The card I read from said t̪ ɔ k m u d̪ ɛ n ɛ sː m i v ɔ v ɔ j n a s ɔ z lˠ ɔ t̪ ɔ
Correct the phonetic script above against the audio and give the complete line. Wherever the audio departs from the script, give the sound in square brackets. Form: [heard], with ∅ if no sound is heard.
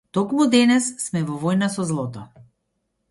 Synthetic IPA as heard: t̪ ɔ k m u d̪ ɛ n ɛ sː m [ɛ] v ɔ v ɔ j n a s ɔ z lˠ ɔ t̪ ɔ